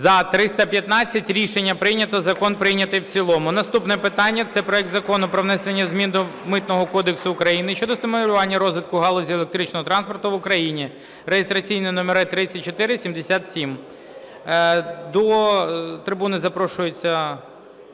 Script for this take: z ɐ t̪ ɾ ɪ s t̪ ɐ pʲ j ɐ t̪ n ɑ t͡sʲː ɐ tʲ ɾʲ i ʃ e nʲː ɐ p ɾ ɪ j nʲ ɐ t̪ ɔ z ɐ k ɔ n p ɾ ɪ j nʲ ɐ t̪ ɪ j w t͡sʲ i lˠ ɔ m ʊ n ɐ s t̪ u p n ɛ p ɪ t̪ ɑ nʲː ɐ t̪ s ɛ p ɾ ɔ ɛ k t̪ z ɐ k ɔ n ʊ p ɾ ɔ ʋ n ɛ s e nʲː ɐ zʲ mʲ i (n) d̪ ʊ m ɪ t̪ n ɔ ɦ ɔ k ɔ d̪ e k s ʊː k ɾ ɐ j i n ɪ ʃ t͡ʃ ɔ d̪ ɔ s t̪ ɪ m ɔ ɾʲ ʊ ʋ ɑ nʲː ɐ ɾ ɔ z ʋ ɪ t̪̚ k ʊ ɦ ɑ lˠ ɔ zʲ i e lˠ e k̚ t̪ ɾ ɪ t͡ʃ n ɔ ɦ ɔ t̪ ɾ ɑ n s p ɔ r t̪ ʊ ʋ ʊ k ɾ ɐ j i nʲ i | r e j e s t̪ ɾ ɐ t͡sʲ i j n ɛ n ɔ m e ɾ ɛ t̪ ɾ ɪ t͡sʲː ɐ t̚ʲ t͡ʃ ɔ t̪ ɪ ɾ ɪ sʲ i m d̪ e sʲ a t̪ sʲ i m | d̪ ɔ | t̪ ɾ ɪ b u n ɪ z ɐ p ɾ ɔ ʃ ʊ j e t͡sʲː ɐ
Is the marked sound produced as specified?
yes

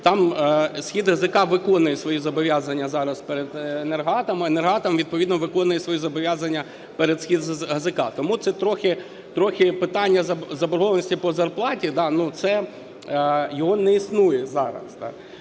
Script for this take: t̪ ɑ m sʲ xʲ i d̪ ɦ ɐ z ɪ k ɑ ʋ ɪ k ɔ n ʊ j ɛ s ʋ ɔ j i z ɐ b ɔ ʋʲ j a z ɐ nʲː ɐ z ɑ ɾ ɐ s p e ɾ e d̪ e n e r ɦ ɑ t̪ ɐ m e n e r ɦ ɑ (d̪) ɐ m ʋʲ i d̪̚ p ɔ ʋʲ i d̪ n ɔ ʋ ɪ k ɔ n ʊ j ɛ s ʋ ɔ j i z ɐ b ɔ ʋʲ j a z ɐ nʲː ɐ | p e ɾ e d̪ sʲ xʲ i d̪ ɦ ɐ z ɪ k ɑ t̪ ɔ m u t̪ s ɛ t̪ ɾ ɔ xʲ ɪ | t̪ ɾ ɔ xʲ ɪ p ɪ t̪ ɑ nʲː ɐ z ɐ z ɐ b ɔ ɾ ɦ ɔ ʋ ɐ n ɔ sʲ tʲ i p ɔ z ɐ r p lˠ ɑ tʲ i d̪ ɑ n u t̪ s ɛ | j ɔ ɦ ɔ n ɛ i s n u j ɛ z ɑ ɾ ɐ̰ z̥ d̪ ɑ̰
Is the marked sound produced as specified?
no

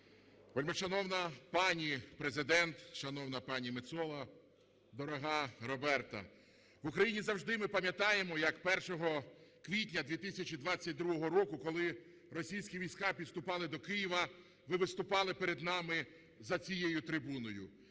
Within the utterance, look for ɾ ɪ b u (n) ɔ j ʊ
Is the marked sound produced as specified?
yes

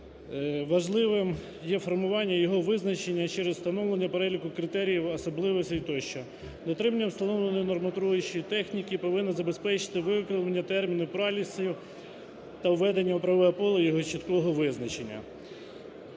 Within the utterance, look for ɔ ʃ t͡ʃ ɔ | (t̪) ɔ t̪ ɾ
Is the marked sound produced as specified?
no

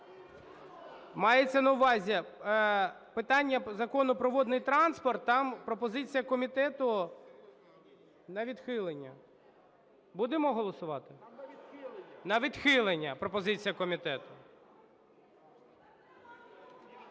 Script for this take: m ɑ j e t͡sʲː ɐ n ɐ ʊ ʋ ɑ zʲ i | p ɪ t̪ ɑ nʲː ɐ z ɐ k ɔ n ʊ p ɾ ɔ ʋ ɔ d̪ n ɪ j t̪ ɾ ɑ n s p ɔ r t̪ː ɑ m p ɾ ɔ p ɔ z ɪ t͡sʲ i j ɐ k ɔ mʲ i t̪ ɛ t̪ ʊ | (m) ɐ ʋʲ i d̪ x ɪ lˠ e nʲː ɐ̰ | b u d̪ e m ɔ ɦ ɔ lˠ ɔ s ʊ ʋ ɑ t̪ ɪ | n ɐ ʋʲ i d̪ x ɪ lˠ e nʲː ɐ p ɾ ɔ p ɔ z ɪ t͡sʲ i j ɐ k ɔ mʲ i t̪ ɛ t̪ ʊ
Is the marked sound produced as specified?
no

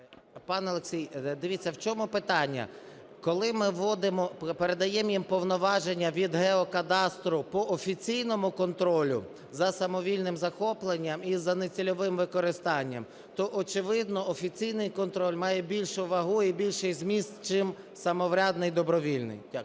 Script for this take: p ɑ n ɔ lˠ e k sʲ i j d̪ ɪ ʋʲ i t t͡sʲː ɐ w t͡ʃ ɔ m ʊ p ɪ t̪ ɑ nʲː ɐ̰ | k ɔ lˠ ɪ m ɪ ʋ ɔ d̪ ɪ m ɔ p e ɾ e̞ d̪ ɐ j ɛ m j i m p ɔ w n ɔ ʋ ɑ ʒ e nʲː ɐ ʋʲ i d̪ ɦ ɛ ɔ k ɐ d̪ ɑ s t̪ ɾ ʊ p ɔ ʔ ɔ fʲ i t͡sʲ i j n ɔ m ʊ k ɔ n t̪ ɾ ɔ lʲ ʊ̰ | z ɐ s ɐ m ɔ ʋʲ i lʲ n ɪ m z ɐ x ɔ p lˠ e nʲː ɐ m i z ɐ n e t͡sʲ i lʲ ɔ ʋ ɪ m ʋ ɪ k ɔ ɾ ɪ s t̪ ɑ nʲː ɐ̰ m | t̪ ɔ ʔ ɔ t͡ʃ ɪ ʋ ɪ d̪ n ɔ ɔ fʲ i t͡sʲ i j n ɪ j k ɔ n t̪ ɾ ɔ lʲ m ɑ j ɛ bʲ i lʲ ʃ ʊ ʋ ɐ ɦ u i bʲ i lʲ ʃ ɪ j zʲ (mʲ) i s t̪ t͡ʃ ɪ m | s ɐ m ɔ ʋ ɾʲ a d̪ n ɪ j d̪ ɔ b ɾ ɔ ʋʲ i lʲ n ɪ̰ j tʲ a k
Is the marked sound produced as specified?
yes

